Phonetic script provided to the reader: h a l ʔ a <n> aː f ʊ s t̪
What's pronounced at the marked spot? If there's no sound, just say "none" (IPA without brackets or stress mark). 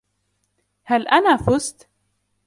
n